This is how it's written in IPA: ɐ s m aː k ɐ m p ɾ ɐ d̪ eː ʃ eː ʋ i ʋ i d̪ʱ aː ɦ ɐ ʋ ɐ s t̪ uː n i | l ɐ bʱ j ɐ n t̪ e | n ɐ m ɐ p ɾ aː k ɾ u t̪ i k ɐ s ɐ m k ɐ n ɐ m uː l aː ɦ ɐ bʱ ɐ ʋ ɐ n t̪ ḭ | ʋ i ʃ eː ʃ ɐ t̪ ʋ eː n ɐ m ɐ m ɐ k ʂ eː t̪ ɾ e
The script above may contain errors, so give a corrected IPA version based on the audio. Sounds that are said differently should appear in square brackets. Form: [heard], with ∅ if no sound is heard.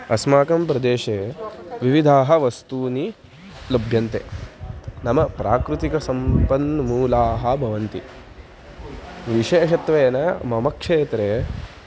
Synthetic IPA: ɐ s m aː k ɐ m p ɾ ɐ d̪ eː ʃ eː ʋ i ʋ i d̪ʱ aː ɦ ɐ ʋ ɐ s t̪ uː n i | l ɐ bʱ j ɐ n t̪ e | n ɐ m ɐ p ɾ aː k ɾ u t̪ i k ɐ s ɐ m [p] ɐ n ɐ m uː l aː ɦ ɐ bʱ ɐ ʋ ɐ n t̪ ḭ | ʋ i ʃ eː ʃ ɐ t̪ ʋ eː n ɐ m ɐ m ɐ k ʂ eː t̪ ɾ e